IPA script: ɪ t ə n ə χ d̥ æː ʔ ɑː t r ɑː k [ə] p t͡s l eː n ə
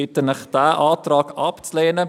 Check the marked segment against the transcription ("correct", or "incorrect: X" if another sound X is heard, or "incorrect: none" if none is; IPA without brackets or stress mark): incorrect: ɑ